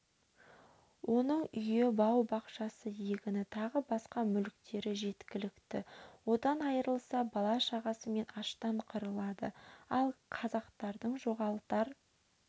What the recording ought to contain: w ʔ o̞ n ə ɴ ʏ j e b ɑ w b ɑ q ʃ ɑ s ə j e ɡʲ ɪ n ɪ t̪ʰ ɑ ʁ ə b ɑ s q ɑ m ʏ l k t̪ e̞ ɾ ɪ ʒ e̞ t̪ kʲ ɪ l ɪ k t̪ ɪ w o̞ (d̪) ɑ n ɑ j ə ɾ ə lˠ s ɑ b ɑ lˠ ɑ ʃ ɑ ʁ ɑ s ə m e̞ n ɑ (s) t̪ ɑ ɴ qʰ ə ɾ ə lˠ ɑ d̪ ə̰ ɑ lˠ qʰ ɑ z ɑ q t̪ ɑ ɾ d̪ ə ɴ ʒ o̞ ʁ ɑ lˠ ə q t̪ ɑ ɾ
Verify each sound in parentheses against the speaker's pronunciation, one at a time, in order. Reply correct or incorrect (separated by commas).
correct, incorrect